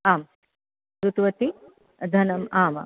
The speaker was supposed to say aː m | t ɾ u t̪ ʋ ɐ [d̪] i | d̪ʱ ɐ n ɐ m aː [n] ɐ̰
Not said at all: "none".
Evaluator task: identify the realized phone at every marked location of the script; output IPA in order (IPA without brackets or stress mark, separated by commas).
t̪, m